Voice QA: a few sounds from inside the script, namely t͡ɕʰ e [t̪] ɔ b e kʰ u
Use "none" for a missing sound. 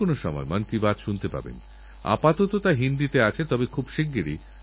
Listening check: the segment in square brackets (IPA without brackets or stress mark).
t̪